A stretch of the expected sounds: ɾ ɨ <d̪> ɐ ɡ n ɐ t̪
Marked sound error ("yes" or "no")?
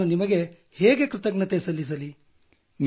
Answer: yes